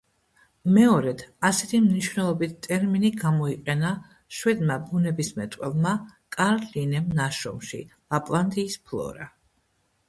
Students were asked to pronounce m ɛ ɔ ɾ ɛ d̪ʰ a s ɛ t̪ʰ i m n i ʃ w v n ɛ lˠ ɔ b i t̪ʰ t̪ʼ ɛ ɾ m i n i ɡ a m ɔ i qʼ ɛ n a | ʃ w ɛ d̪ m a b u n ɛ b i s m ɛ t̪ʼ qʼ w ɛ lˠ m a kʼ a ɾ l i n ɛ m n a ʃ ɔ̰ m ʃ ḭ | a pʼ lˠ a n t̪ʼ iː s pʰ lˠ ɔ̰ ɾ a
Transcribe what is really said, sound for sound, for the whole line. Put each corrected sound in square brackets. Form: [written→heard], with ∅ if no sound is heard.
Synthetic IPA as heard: m ɛ ɔ ɾ ɛ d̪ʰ a s ɛ t̪ʰ i m n i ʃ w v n ɛ lˠ ɔ b i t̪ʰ t̪ʼ ɛ ɾ m i n i ɡ a m ɔ i qʼ ɛ n a | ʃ w ɛ d̪ m a b u n ɛ b i s m ɛ t̪ʼ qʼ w ɛ lˠ m a kʼ a ɾ l i n ɛ m n a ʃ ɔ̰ m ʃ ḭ | a pʼ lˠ a n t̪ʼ iː s pʰ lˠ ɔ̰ ɾ a